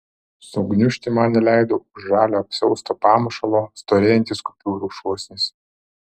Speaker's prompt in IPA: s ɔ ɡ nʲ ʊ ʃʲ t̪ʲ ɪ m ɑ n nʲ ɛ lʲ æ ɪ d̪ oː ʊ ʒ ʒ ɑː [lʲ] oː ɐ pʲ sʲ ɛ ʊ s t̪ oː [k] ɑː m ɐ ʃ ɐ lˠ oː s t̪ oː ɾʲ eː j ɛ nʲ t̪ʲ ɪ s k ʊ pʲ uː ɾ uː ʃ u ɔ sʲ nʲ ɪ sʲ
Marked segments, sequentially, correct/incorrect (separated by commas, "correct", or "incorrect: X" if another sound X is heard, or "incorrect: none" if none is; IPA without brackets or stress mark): correct, incorrect: p